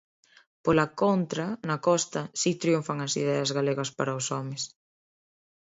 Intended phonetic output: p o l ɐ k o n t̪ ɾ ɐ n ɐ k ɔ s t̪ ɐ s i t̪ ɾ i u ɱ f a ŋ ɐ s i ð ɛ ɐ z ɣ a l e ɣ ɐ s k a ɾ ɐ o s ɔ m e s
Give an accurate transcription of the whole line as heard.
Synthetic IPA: p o l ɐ k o n t̪ ɾ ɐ n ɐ k ɔ s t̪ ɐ s i t̪ ɾ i u ɱ f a ŋ ɐ s i ð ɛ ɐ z ɣ a l e ɣ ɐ s p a ɾ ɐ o s ɔ m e s

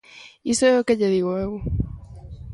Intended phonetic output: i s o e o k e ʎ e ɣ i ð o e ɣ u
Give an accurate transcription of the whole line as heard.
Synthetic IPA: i s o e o k e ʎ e ð i ɣ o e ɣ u

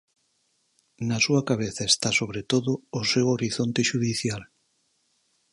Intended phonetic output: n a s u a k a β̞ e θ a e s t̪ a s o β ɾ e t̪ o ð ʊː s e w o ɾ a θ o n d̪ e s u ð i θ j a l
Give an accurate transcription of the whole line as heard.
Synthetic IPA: n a s u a k a β̞ e θ a e s t̪ a s o β ɾ e t̪ o ð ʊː s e w o ɾ i θ o n t̪ e ʃ u ð i θ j a l

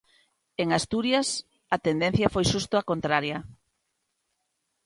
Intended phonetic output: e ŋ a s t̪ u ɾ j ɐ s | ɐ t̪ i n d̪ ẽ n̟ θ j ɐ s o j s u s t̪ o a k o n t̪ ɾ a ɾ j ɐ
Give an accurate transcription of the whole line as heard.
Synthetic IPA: e ŋ a s t̪ u ɾ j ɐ s | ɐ t̪ e n d̪ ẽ n̟ θ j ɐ f o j ʃ u s t̪ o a k o n t̪ ɾ a ɾ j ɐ

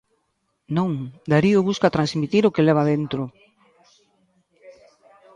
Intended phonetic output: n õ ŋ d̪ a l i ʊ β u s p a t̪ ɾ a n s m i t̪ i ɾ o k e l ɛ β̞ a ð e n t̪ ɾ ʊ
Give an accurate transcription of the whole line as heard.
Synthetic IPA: n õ ŋ d̪ a ɾ i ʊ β u s k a t̪ ɾ a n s m i t̪ i ɾ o k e l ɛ β̞ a ð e n t̪ ɾ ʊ

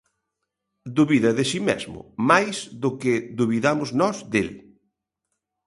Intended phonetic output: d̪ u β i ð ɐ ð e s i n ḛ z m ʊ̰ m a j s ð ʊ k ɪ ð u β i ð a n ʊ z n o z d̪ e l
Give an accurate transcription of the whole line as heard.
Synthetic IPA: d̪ u β i ð ɐ ð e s i m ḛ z m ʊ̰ m a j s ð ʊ k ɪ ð u β i ð a m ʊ z n ɔ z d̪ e l

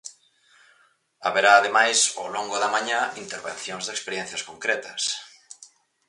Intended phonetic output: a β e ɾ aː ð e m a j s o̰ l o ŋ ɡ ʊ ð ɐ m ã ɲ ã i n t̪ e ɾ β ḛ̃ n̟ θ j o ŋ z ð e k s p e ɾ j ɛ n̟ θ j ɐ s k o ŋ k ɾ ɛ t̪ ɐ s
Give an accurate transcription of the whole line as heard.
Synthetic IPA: a β e ɾ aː ð e m a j s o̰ l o ŋ ɡ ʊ ð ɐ m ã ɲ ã i n t̪ e ɾ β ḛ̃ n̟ θ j o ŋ z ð e k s p e ɾ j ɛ n̟ θ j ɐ s k o ŋ k ɾ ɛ t̪ ɐ s

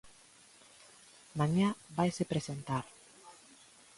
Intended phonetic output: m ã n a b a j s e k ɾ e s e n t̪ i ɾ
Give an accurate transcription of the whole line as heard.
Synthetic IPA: m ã ɲ a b a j s e p ɾ e s e n t̪ a ɾ

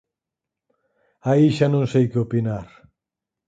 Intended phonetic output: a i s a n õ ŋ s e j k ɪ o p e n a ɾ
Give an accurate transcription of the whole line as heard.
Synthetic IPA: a i ʃ a n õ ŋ s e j k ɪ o p i n a ɾ

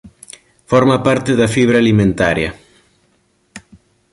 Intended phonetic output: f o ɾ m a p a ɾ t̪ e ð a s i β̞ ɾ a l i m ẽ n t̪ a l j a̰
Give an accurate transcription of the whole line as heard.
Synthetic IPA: f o ɾ m a p a ɾ t̪ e ð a f i β̞ ɾ a l i m ẽ n t̪ a ɾ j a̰

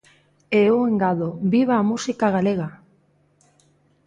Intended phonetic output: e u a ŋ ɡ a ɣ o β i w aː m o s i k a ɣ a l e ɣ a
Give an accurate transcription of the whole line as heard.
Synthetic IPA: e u e ŋ ɡ a ð o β i β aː m u s i k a ɣ a l e ɣ a

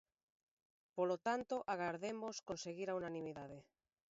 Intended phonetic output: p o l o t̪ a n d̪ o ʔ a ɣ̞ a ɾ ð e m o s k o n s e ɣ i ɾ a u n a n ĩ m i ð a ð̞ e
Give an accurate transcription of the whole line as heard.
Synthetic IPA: p o l o t̪ a n t̪ o ʔ a ɣ̞ a ɾ ð e m o s k o n s e ɣ i ɾ a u n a n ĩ m i ð a ð̞ e

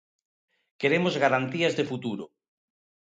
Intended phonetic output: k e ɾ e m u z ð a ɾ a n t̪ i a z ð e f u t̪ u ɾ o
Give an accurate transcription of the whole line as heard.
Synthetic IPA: k e ɾ e m o z ɣ a ɾ a n t̪ i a z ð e f u t̪ u ɾ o

